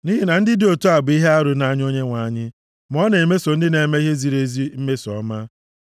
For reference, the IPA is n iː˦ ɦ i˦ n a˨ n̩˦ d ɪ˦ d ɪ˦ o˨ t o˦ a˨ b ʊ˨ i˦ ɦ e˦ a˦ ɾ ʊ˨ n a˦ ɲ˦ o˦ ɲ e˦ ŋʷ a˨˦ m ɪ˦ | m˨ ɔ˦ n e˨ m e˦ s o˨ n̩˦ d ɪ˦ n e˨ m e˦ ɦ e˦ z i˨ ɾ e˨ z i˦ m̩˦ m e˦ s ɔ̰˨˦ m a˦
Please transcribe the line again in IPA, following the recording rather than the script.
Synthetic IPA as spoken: n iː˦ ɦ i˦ n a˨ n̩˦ d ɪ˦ d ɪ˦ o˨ t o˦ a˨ b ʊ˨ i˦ ɦ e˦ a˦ ɾ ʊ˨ n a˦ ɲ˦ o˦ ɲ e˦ ŋʷ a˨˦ ɲ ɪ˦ | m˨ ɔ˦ n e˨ m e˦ s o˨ n̩˦ d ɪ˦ n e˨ m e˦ ɦ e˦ z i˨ ɾ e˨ z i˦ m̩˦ m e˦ s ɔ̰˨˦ m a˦